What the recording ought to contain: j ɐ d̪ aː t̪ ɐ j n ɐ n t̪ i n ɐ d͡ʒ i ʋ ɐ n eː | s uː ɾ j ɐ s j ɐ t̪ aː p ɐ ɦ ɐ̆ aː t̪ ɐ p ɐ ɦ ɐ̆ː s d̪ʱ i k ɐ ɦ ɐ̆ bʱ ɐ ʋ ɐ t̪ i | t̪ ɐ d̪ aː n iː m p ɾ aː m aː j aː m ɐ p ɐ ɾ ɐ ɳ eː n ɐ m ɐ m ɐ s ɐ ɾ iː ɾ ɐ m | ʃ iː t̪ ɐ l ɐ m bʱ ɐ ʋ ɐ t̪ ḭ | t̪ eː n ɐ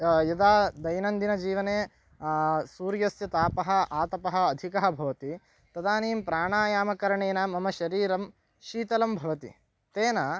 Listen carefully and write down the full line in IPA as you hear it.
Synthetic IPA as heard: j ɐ d̪ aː d̪ ɐ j n ɐ n d̪ i n ɐ d͡ʒ iː ʋ ɐ n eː | s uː ɾ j ɐ s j ɐ t̪ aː p ɐ ɦ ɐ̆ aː t̪ ɐ p ɐ ɦ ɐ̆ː d̪ʱ i k ɐ ɦ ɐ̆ bʱ ɐ ʋ ɐ t̪ i | t̪ ɐ d̪ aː n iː m p ɾ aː ɳ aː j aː m ɐ k ɐ ɾ ɐ ɳ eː n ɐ m ɐ m ɐ ʃ ɐ ɾ iː ɾ ɐ m | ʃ iː t̪ ɐ l ɐ m bʱ ɐ ʋ ɐ t̪ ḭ | t̪ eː n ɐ

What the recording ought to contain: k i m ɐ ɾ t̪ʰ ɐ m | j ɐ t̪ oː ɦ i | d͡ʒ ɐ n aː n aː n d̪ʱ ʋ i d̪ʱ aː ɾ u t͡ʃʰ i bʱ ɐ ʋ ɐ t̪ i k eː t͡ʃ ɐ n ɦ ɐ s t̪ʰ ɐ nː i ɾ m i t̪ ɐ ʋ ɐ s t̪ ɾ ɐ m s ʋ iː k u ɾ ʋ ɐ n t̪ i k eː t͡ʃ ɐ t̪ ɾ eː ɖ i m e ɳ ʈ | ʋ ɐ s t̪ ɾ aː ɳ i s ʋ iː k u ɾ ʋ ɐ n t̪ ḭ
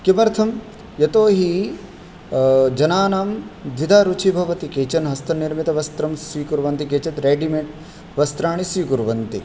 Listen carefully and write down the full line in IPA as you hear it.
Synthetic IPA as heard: k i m ɐ ɾ t̪ʰ ɐ m | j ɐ t̪ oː ɦ i | d͡ʒ ɐ n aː n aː m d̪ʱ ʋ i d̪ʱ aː ɾ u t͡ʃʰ i bʱ ɐ ʋ ɐ t̪ i k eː t͡ʃ ɐ n ɦ ɐ s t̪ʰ ɐ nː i ɾ m i t̪ ɐ ʋ ɐ s t̪ ɾ ɐ m s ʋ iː k u ɾ ʋ ɐ n t̪ i k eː t͡ʃ ɐ t̪ ɾ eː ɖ i m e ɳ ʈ | ʋ ɐ s t̪ ɾ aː ɳ i s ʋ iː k u ɾ ʋ ɐ n t̪ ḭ

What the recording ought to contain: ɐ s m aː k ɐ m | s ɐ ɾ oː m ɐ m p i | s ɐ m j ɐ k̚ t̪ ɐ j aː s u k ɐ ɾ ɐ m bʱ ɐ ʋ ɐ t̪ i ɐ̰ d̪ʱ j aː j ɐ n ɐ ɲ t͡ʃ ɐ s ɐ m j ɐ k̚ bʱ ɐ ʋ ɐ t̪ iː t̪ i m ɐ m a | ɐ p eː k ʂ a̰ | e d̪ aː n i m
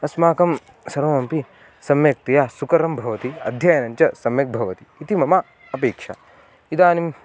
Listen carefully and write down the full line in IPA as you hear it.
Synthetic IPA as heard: ɐ s m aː k ɐ m | s ɐ ɾ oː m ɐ m p i | s ɐ m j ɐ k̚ t̪ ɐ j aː s u k ɐ ɾ ɐ m bʱ ɐ ʋ ɐ t̪ i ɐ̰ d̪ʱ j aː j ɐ n ɐ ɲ t͡ʃ ɐ s ɐ m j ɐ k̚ bʱ ɐ ʋ ɐ t̪ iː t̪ i m ɐ m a | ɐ p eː k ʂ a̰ | i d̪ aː n i m

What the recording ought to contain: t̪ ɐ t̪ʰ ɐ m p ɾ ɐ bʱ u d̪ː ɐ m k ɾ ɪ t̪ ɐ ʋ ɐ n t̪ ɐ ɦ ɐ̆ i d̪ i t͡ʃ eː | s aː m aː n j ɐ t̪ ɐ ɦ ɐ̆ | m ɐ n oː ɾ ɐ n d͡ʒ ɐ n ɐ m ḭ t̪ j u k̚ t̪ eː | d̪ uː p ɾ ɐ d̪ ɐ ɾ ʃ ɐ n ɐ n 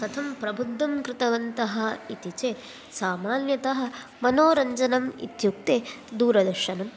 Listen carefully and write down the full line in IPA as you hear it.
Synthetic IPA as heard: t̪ ɐ t̪ʰ ɐ m p ɾ ɐ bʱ u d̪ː ɐ m k ɾ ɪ t̪ ɐ ʋ ɐ n t̪ ɐ ɦ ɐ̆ i t̪ i t͡ʃ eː | s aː m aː n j ɐ t̪ ɐ ɦ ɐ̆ | m ɐ n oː ɾ ɐ ɲ d͡ʒ ɐ n ɐ m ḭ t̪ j u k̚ t̪ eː | d̪ uː ɾ ɐ d̪ ɐ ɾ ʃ ɐ n ɐ m

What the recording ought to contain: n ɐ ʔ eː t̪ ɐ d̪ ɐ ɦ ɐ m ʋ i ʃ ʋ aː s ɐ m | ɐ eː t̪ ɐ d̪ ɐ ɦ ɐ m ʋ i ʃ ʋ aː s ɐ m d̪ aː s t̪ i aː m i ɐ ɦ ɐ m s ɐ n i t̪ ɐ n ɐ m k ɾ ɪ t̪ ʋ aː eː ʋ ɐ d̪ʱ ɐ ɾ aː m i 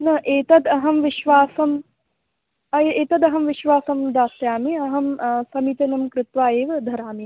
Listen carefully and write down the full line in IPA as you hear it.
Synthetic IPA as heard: n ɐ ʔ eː t̪ ɐ d̪ ɐ ɦ ɐ m ʋ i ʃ ʋ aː s ɐ m | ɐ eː t̪ ɐ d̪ ɐ ɦ ɐ m ʋ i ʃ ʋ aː s ɐ m d̪ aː s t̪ j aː m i ɐ ɦ ɐ m s ɐ m i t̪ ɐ n ɐ m k ɾ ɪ t̪ ʋ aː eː ʋ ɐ d̪ʱ ɐ ɾ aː m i

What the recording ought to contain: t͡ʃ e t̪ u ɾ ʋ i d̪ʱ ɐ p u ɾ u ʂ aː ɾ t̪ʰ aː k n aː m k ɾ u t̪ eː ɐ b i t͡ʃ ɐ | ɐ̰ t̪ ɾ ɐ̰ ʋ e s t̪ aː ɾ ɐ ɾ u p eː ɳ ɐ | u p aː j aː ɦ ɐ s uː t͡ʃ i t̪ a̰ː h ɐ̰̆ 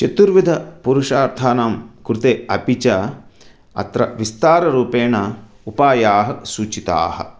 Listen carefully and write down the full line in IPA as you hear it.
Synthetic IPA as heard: t͡ʃ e t̪ u ɾ ʋ i d̪ʱ ɐ p u ɾ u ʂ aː ɾ t̪ʰ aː n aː m k ɾ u t̪ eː ɐ p i t͡ʃ ɐ | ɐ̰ t̪ ɾ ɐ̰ ʋ i s t̪ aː ɾ ɐ ɾ uː p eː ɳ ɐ | u p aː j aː ɦ ɐ s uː t͡ʃ i t̪ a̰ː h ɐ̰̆

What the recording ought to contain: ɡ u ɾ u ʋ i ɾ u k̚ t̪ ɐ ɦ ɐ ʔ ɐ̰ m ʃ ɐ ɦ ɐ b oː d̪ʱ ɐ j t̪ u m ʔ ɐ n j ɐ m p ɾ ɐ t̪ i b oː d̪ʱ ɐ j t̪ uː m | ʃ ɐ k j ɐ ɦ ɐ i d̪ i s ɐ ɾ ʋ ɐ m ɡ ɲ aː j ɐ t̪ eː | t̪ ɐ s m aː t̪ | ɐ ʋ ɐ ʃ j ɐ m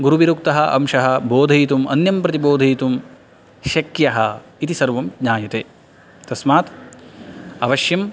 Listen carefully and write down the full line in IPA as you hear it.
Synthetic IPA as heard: ɡ u ɾ u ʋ i ɾ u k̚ t̪ ɐ ɦ ɐ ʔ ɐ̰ m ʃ ɐ ɦ ɐ b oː d̪ʱ ɐ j t̪ u m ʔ ɐ n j ɐ m p ɾ ɐ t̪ i b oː d̪ʱ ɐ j t̪ u m | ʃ ɐ k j ɐ ɦ ɐ i t̪ i s ɐ ɾ ʋ ɐ m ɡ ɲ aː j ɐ t̪ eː | t̪ ɐ s m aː t̪ | ɐ ʋ ɐ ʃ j ɐ m

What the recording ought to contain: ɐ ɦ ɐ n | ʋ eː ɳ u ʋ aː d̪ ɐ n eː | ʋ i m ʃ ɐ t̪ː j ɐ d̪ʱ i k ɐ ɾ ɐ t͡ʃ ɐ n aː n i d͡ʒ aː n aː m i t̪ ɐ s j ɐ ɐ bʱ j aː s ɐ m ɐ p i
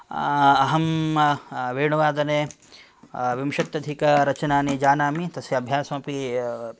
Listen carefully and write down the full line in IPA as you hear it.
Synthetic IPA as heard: ɐ ɦ ɐ m | ʋ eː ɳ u ʋ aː d̪ ɐ n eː | ʋ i m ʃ ɐ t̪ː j ɐ d̪ʱ i k ɐ ɾ ɐ t͡ʃ ɐ n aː n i d͡ʒ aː n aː m i t̪ ɐ s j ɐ ɐ bʱ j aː s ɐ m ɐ p i

